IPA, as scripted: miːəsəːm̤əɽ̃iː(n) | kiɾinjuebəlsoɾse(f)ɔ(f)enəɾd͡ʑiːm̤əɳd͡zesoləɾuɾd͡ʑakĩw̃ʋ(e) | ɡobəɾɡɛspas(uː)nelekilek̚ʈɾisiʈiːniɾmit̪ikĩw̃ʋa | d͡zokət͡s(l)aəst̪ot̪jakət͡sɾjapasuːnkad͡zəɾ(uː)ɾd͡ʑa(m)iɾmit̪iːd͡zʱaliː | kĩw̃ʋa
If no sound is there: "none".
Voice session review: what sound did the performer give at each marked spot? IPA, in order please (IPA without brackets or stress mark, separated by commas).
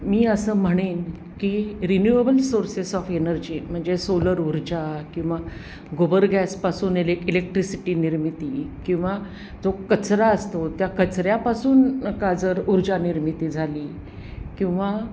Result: n, s, f, a, uː, ɾ, u, n